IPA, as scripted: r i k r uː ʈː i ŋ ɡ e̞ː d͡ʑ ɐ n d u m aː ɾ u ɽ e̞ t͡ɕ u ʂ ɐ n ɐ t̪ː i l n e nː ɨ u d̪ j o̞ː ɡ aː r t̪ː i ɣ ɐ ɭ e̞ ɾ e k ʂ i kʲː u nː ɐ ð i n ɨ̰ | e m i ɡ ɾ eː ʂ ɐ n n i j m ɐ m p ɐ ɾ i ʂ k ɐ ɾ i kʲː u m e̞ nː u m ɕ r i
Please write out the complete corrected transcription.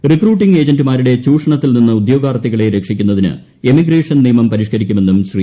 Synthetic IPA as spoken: r i k r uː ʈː i ŋ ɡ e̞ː d͡ʑ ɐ n d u m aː ɾ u ɽ e̞ t͡ɕ uː ʂ ɐ ɳ ɐ t̪ː i l n i nː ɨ u d̪ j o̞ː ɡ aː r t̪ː i ɣ ɐ ɭ e̞ ɾ e k ʂ i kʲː u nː ɐ ð i n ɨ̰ | e m i ɡ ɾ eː ʂ ɐ n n i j m ɐ m p ɐ ɾ i ʂ k ɐ ɾ i kʲː u m e̞ nː u m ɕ r i